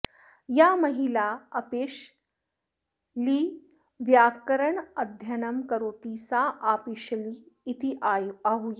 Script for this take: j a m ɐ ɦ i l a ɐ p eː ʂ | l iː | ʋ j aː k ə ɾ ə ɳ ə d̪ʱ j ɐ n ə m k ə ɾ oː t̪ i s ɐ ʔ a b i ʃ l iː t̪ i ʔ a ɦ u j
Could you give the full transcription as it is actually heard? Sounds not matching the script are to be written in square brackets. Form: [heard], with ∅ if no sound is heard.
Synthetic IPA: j a m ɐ ɦ i l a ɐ p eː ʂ | l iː | ʋ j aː k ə ɾ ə ɳ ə d̪ʱ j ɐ n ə m k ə ɾ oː t̪ i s [a] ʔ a [p] i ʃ l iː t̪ i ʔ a ɦ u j